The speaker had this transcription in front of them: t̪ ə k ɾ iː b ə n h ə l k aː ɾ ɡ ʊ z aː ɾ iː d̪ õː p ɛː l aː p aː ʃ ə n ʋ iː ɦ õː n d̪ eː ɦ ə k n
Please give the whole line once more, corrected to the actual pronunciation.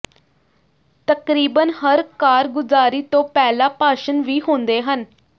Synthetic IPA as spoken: t̪ ə k ɾ iː b ə n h ə ɾ k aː ɾ ɡ ʊ z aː ɾ iː t̪ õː p ɛː l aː p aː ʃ ə n ʋ iː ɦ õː n d̪ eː ɦ ə n